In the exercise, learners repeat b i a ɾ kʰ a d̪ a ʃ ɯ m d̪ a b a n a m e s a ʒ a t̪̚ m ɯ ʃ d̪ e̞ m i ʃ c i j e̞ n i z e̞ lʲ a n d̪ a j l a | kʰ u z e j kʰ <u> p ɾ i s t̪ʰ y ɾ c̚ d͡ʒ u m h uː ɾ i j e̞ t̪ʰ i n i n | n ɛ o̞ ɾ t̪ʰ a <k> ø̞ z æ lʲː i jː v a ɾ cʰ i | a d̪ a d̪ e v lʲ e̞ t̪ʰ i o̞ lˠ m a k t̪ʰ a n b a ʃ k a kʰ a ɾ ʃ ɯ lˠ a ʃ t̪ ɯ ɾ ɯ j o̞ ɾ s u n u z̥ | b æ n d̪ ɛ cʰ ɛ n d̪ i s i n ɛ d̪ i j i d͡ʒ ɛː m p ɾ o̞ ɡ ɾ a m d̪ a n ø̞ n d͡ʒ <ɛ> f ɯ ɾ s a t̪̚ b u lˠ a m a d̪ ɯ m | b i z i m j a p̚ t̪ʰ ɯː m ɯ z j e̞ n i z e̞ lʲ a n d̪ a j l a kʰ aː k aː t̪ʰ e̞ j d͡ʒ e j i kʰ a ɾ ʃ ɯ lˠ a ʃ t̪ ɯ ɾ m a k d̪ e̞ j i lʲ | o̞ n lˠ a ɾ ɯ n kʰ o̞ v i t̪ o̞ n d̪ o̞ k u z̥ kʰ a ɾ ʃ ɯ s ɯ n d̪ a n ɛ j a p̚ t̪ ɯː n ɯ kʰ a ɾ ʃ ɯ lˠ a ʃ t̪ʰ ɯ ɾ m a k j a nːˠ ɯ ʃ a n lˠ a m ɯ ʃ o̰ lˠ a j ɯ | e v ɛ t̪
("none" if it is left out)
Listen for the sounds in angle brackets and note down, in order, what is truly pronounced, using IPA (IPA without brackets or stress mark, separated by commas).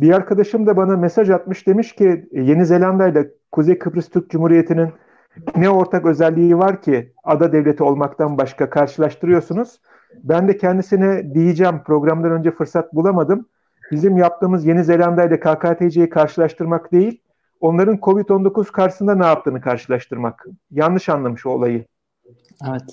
ɯ, k, ɛ